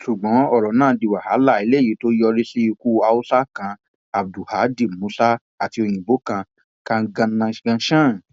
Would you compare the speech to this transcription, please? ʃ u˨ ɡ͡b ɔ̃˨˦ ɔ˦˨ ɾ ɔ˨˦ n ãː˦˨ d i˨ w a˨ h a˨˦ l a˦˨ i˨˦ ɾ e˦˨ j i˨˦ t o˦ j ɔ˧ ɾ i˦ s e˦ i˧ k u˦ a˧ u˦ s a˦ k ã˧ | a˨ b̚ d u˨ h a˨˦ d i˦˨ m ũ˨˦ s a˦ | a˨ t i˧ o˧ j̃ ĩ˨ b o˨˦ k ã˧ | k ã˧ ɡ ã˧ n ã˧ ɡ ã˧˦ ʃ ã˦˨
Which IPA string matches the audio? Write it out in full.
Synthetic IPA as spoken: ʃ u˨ ɡ͡b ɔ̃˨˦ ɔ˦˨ ɾ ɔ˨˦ n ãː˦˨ d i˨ w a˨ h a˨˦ l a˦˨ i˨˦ l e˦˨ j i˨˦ t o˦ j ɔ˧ ɾ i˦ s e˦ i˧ k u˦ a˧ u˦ s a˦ k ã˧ | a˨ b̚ d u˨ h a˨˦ d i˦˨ m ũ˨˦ s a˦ | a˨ t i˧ o˧ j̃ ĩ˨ b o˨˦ k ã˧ | k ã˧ ɡ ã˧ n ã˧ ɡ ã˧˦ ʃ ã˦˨